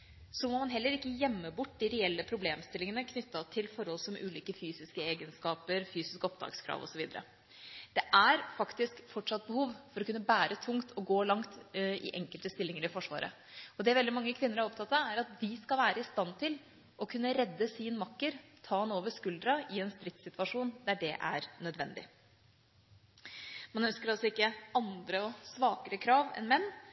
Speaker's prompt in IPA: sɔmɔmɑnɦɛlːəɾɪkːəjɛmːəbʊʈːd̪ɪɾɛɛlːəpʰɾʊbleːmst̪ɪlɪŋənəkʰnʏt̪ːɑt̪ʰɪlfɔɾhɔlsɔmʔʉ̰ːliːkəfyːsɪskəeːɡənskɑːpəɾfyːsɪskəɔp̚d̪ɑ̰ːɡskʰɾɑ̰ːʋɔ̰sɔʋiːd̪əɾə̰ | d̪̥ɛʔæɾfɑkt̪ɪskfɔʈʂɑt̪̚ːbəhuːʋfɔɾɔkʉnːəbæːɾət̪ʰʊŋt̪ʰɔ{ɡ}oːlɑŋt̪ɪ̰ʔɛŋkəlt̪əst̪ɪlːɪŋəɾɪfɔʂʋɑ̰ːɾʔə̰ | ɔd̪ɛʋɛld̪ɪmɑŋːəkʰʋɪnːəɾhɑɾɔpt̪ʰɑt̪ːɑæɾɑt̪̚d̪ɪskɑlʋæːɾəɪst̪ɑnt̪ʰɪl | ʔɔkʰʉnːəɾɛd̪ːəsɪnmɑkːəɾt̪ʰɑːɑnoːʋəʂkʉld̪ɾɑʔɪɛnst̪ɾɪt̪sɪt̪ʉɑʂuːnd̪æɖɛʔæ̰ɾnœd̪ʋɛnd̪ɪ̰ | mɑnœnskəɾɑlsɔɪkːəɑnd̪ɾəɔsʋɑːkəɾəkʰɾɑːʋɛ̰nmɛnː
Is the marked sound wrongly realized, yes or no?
no